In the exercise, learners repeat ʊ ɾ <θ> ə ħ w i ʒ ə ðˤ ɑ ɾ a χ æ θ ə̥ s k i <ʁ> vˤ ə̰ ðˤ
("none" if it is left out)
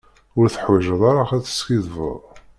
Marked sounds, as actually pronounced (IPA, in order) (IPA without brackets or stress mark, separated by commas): θ, ð